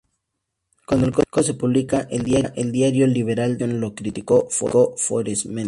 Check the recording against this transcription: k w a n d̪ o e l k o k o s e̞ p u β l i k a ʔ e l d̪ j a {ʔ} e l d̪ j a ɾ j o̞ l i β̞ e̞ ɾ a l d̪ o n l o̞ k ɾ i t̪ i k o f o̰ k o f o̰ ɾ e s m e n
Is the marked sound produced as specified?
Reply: yes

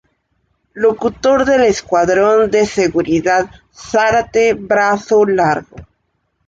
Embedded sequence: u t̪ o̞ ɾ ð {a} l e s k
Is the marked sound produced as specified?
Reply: no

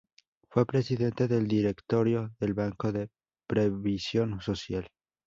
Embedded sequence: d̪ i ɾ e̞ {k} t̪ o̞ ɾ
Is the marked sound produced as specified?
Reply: yes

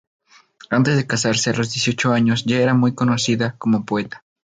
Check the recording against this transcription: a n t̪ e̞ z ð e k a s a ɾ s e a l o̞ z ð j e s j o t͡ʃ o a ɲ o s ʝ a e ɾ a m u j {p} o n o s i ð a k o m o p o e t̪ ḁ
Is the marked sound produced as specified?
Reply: no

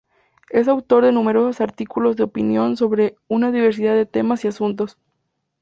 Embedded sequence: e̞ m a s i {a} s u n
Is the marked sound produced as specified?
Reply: yes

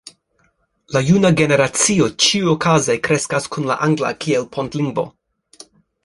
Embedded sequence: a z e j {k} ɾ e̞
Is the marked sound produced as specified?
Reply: yes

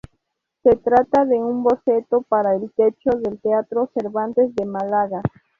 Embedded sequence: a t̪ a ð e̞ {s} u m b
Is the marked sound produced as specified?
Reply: no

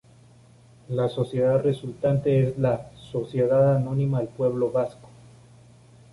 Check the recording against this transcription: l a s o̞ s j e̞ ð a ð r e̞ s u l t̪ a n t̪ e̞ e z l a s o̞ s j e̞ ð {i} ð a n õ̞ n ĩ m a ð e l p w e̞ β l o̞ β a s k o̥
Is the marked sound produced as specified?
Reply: no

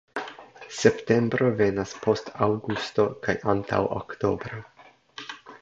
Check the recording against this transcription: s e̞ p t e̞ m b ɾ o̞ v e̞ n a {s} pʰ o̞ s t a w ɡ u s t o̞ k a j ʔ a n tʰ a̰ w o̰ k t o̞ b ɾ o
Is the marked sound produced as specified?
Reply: yes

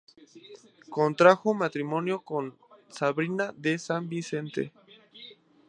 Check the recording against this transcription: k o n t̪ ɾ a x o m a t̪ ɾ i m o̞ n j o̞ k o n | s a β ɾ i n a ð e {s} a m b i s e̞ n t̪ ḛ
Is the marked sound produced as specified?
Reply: yes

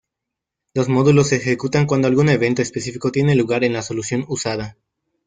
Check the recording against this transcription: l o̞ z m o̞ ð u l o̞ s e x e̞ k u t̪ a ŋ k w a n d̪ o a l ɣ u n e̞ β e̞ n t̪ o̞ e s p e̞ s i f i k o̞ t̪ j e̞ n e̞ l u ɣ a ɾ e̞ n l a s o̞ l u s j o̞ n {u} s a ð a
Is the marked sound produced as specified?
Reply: yes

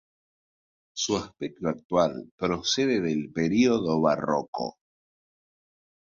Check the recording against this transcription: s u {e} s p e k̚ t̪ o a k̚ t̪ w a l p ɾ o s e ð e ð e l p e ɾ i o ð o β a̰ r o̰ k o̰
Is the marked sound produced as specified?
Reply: no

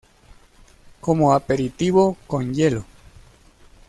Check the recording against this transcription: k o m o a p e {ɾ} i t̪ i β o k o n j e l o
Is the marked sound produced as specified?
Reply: yes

